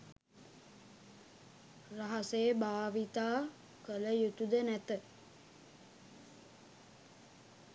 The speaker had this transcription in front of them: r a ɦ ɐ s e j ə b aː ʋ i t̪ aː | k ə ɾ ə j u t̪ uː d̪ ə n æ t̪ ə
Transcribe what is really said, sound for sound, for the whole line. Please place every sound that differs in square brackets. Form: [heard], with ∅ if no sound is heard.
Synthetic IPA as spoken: r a ɦ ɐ s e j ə b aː ʋ i t̪ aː | k ə [l] ə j u t̪ [u] d̪ ə n æ t̪ ə